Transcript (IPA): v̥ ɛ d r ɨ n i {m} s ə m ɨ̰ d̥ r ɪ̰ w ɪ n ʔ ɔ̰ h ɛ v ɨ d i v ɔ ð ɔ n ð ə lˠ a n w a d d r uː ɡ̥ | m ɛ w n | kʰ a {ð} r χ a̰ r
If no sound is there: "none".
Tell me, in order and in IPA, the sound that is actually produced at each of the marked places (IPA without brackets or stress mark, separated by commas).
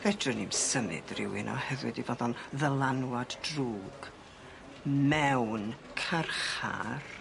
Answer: m, none